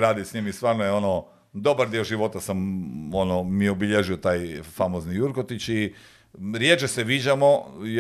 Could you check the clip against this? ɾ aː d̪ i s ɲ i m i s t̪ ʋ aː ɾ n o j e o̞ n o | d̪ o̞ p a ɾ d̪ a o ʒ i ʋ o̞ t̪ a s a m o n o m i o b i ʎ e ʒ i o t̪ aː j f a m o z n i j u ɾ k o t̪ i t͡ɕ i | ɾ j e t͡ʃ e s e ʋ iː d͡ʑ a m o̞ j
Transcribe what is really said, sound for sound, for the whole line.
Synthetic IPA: ɾ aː d̪ i s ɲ i m i s t̪ ʋ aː ɾ n o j e o̞ n o | d̪ o̞ b a ɾ d̪ i o ʒ i ʋ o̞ t̪ a s a m o n o m i o b i ʎ e ʒ i o t̪ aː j f a m o z n i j u ɾ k o t̪ i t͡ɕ i | ɾ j e t͡ʃ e s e ʋ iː d͡ʑ a m o̞ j